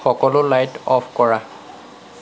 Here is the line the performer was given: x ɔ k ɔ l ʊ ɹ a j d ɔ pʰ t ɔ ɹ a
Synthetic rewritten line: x ɔ k ɔ l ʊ l a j t ɔ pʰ k ɔ ɹ a

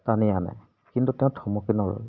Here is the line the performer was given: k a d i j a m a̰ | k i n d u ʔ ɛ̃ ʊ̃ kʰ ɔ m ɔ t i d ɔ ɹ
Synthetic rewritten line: t a n i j a n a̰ | k i n t u t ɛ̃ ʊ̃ tʰ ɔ m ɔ k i n ɔ ɹ

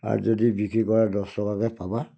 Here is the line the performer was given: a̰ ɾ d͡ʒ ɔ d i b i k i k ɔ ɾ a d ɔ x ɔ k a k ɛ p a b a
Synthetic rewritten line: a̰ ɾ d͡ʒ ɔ d i b i k i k ɔ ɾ a d ɔ s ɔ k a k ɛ p a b a

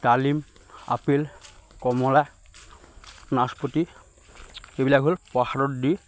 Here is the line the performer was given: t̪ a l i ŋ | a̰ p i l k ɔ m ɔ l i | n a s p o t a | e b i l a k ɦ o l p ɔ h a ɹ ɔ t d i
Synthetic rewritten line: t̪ a l i m | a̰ p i l k ɔ m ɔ l a | n a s p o t i | e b i l a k ɦ o l p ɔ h a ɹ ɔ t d i

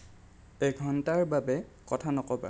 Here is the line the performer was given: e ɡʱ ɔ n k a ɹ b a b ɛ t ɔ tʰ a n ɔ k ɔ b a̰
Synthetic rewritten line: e ɡʱ ɔ n t a ɹ b a b ɛ k ɔ tʰ a n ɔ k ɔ b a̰

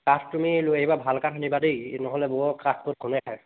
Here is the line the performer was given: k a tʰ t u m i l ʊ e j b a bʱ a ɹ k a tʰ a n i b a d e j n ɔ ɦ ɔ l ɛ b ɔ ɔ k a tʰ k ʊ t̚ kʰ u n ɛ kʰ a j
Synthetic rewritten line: k a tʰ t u m i l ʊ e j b a bʱ a l k a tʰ a n i b a d e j n ɔ ɦ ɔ l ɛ b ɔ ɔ k a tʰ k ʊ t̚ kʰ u n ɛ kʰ a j

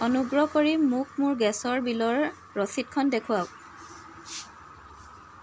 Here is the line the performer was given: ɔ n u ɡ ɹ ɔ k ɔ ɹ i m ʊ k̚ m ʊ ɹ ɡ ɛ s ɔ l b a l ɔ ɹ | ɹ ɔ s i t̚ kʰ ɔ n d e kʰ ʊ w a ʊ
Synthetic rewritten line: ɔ n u ɡ ɹ ɔ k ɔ ɹ i m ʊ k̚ m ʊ ɹ ɡ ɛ s ɔ ɹ b i l ɔ ɹ | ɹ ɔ s i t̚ kʰ ɔ n d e kʰ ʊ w a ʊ

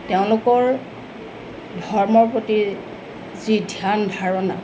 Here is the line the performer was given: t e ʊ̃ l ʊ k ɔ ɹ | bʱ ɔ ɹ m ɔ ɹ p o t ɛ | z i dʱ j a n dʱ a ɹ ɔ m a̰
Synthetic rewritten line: t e ʊ̃ l ʊ k ɔ ɹ | dʱ ɔ ɹ m ɔ ɹ p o t i | z i dʱ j a n bʱ a ɹ ɔ n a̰

